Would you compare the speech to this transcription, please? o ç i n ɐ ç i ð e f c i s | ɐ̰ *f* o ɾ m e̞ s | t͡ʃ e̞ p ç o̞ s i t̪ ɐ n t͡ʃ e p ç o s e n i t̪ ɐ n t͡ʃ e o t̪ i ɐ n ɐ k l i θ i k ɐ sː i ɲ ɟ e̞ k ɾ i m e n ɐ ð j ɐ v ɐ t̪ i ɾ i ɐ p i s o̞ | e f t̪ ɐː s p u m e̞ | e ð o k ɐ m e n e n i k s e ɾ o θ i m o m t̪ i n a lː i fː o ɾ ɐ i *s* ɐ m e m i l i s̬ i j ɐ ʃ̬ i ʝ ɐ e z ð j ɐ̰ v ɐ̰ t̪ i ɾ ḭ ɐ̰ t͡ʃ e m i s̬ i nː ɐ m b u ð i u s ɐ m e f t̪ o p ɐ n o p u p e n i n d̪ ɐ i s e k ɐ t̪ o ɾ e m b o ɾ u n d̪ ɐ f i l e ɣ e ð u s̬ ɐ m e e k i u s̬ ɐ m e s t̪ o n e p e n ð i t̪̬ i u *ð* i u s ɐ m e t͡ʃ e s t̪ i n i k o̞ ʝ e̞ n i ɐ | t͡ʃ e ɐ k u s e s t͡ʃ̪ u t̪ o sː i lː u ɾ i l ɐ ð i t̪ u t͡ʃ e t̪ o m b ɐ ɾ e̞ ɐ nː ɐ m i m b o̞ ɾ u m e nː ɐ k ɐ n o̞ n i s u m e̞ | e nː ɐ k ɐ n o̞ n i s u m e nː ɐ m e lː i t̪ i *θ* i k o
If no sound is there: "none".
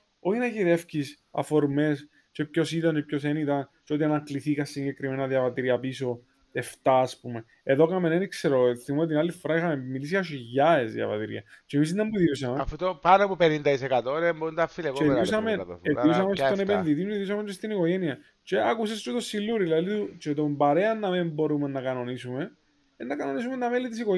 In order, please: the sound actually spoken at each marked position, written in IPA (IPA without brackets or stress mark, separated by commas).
f, x, ð, s